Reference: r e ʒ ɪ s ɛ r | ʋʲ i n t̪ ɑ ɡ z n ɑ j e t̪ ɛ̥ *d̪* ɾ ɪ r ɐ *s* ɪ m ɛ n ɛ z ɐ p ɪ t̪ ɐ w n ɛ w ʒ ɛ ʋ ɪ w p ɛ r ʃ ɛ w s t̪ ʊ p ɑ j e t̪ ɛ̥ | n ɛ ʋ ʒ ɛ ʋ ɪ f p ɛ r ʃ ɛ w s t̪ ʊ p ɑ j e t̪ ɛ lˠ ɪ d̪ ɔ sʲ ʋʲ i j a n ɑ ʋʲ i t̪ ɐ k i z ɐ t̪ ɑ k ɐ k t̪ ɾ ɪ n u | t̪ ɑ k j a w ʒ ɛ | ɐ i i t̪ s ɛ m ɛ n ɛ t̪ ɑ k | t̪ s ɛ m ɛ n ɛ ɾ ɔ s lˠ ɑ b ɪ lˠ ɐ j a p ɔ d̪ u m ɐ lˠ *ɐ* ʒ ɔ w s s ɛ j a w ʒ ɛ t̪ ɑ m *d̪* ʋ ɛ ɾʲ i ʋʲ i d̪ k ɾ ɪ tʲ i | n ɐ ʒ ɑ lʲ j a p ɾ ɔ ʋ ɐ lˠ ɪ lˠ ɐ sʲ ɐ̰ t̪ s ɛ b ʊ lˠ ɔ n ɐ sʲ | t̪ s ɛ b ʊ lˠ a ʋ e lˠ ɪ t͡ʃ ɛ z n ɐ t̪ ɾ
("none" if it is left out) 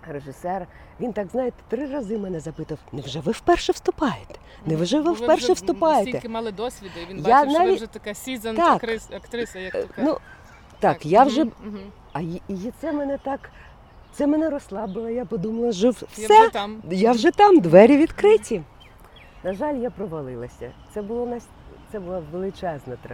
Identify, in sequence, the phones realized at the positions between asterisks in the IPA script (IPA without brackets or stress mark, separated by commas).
t̪, z, ɐ, d̪